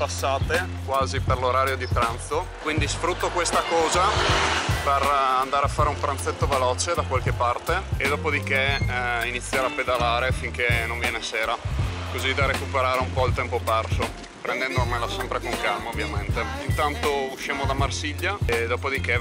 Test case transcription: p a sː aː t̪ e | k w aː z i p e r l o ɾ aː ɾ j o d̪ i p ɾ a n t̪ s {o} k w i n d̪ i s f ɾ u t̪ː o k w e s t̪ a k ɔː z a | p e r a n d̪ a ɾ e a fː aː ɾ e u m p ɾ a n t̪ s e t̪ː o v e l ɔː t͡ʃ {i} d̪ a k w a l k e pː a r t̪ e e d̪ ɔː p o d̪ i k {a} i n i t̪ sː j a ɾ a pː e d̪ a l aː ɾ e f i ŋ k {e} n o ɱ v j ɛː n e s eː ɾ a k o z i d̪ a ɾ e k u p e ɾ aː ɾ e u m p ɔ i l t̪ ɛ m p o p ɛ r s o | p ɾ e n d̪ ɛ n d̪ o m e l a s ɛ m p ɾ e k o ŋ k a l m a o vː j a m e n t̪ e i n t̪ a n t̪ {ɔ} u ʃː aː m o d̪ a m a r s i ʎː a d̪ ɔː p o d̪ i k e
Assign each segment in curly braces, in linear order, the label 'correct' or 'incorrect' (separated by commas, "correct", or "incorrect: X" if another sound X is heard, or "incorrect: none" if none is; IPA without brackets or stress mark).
correct, incorrect: e, incorrect: e, correct, incorrect: o